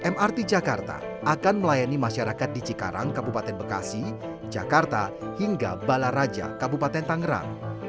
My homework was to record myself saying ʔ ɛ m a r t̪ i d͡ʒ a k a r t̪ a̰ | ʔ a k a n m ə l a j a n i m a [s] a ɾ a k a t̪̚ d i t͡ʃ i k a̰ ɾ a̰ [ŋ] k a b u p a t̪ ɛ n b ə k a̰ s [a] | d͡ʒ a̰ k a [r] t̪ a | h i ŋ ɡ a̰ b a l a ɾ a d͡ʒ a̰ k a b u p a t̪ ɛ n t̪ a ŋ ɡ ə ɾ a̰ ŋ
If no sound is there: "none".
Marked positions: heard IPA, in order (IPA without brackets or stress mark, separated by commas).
ʃ, ŋ, i, r